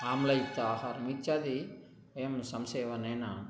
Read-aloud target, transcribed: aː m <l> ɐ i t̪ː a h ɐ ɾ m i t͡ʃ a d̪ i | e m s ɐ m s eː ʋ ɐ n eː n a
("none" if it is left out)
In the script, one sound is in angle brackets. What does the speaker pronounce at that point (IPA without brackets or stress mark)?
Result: l